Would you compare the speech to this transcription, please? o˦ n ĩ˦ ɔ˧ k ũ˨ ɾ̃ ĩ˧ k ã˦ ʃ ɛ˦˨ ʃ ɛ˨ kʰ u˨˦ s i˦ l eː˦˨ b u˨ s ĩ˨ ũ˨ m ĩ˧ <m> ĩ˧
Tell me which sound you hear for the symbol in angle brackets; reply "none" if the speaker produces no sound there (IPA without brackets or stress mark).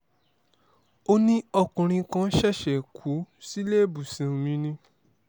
n